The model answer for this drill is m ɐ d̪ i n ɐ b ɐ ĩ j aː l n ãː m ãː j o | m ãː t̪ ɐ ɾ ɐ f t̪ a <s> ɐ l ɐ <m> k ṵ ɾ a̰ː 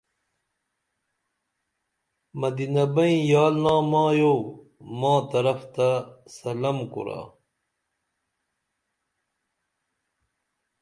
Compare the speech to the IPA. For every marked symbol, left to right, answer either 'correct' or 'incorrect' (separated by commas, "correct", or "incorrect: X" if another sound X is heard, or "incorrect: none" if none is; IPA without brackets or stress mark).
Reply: correct, correct